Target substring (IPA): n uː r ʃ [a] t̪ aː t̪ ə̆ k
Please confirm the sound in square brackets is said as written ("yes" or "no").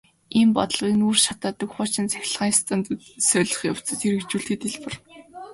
yes